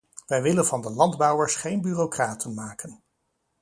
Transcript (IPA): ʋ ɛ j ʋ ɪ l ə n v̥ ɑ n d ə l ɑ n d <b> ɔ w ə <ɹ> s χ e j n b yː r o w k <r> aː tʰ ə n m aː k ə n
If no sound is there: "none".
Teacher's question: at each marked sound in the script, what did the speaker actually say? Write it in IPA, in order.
b, ɹ, r

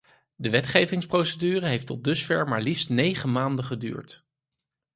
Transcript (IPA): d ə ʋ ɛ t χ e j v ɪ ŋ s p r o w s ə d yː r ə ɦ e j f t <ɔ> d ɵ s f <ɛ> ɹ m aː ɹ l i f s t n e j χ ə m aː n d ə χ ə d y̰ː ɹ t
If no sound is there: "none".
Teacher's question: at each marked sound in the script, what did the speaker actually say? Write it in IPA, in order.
ɔ, ɛ

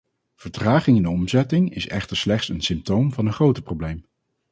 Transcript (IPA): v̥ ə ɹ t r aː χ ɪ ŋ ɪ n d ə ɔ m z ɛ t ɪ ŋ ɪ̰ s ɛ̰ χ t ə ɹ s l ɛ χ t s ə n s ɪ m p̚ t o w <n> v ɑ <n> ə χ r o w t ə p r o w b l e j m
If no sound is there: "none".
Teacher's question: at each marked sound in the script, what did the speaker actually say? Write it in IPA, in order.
m, n

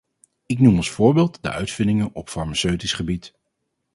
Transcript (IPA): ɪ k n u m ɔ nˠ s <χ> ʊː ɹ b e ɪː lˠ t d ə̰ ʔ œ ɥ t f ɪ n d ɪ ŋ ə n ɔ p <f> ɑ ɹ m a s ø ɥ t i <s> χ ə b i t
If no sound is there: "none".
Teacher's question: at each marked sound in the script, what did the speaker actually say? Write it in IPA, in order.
f, f, s

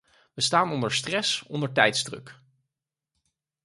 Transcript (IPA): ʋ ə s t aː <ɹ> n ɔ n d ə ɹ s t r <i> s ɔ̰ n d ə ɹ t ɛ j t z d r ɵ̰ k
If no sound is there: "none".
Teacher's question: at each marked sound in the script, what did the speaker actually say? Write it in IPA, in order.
none, ɛ

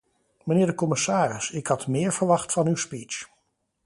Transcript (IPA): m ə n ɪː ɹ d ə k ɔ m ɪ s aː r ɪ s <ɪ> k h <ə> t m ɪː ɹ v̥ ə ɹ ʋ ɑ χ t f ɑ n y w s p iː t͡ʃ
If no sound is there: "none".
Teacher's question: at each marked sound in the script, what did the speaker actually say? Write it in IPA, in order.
ɪ, ɑ

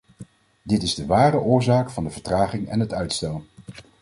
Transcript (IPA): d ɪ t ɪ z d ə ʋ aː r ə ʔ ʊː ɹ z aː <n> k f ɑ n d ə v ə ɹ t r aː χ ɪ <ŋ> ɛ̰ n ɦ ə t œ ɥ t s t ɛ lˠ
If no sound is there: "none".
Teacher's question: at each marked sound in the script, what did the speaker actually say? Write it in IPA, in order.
none, ŋ

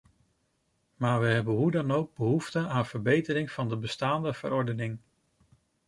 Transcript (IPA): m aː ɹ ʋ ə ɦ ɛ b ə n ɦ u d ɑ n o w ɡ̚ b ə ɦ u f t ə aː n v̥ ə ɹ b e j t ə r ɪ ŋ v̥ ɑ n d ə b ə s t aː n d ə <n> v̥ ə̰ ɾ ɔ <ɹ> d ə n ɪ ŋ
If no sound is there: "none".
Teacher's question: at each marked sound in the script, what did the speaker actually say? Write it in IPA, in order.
none, ɹ

